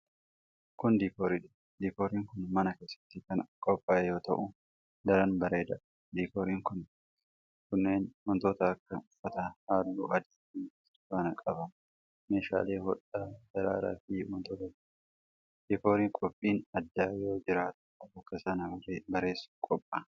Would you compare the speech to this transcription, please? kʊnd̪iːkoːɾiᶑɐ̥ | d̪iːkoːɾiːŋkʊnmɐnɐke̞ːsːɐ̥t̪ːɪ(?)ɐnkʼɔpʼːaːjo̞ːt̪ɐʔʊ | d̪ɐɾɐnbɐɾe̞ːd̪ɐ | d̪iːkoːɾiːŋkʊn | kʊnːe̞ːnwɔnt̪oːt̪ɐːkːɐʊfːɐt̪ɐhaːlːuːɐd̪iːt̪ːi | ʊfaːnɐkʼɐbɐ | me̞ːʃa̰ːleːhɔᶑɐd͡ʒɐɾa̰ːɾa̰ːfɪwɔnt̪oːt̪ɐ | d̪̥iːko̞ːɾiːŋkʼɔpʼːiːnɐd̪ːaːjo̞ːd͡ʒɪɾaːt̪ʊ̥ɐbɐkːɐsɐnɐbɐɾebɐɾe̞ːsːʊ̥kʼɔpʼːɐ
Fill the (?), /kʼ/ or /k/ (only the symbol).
k